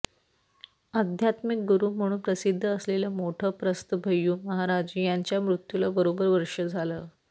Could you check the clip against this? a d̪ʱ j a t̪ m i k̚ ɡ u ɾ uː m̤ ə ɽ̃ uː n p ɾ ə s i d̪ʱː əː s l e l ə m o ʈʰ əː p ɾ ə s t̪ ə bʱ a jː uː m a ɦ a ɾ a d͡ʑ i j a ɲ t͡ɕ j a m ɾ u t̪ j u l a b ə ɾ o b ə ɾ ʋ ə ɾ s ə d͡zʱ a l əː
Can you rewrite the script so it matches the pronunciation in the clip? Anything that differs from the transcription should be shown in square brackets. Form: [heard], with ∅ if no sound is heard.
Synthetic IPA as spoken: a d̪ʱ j a t̪ m i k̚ ɡ u ɾ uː m̤ ə ɽ̃ uː n p ɾ ə s i d̪ʱː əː s l e l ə m o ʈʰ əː p ɾ ə s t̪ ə bʱ [ə] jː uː m [ə] ɦ a ɾ a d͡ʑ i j a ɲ t͡ɕ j a m ɾ u t̪ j u l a b ə ɾ o b ə ɾ ʋ ə ɾ [ʂ] ə d͡zʱ a l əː